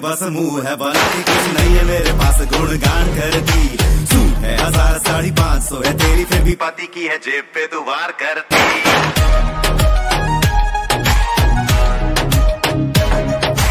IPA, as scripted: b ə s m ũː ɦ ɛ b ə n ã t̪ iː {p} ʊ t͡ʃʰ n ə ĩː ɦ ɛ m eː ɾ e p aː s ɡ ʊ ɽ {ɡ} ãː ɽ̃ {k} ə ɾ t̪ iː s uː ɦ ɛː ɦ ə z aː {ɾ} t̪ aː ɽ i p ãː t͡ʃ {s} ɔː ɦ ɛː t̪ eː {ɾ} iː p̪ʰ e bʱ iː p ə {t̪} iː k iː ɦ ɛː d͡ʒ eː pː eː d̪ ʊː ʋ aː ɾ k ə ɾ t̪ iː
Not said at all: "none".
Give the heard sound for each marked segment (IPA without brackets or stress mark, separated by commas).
k, ɡ, k, ɾ, s, ɾ, t̪